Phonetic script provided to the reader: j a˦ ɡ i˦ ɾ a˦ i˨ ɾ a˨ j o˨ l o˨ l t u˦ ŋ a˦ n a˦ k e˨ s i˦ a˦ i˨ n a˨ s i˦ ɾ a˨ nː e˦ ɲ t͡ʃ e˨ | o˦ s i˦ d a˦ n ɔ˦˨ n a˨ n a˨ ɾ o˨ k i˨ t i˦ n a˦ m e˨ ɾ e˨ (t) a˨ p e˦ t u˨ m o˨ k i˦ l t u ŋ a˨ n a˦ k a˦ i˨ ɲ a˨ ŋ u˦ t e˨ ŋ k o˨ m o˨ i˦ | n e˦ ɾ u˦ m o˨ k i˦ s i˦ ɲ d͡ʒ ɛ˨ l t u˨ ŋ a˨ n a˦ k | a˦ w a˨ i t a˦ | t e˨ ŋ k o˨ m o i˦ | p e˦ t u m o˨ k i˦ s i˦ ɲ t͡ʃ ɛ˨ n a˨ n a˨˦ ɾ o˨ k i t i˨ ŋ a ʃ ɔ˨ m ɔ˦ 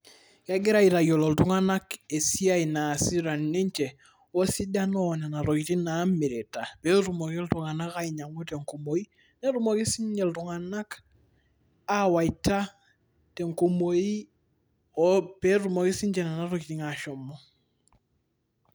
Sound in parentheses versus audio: correct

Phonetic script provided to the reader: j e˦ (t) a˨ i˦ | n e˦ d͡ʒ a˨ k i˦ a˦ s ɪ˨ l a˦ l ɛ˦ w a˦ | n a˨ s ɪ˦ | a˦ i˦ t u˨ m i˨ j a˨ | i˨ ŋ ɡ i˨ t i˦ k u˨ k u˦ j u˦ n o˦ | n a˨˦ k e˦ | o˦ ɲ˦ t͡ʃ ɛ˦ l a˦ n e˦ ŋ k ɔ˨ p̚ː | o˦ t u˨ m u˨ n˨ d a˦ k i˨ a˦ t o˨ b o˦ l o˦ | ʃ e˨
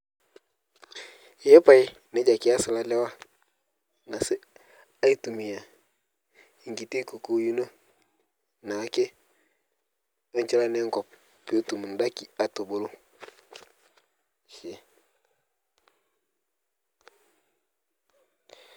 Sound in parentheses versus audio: incorrect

